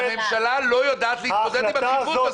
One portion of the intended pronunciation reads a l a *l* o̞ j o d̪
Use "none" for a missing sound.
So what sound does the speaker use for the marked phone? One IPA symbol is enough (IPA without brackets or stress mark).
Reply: l